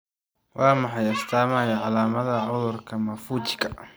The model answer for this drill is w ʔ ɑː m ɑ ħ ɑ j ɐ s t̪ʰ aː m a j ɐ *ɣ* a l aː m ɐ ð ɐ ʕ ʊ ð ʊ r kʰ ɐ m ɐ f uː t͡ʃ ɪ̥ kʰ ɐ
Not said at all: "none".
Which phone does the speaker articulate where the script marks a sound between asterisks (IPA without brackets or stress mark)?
ʕ